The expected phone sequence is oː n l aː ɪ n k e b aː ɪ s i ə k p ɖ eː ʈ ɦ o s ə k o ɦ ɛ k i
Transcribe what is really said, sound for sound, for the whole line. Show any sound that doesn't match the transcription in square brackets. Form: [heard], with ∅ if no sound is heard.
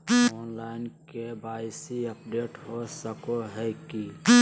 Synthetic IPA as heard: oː n l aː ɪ n k e b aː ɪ s i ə [∅] p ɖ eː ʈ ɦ o s ə k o ɦ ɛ k i